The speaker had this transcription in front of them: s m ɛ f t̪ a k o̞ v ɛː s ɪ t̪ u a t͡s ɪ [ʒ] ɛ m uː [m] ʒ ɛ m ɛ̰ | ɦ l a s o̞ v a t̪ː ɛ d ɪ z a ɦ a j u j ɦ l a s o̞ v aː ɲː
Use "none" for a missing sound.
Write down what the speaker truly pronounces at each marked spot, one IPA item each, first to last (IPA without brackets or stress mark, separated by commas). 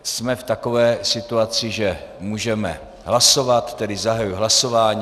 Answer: ʒ, none